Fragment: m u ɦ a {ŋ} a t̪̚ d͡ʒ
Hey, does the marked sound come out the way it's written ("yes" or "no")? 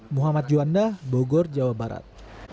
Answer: no